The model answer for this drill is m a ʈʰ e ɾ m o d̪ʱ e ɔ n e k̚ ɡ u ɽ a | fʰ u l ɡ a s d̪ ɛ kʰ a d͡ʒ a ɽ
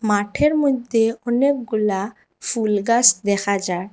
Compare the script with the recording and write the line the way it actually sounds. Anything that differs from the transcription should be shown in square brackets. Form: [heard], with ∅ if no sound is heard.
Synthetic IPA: m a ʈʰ e ɾ m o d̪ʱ e ɔ n e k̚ ɡ u [l] a | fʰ u l ɡ a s d̪ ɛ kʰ a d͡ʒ a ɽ